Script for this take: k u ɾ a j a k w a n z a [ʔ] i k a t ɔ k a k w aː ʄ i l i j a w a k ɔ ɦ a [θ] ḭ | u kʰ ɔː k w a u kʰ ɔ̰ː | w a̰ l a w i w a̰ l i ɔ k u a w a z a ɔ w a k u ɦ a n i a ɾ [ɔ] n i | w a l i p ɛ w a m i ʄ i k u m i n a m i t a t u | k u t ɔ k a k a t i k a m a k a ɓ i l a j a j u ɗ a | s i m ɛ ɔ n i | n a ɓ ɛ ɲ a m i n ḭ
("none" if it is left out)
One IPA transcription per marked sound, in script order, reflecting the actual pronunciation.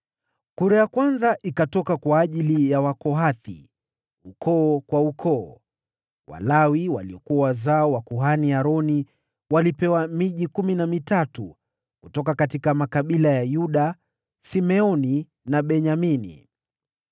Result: ʔ, θ, ɔ

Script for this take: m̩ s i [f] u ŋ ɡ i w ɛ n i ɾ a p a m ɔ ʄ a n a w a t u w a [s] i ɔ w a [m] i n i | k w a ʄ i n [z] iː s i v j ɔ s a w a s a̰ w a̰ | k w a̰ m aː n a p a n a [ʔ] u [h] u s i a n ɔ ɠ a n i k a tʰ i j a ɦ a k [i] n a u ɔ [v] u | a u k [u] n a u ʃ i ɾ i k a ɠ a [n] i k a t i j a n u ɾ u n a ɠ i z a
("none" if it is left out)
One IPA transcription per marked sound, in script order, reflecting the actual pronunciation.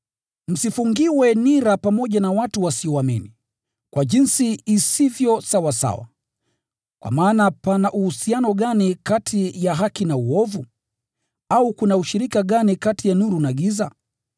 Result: f, s, m, s, ʔ, h, i, v, u, n

